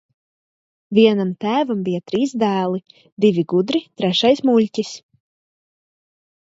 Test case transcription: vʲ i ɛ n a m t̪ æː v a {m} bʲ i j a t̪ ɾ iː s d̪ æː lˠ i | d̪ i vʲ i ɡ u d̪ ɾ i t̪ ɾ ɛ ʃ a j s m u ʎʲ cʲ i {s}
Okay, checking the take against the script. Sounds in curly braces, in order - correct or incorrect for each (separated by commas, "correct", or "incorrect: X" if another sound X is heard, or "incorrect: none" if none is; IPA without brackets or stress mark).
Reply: correct, correct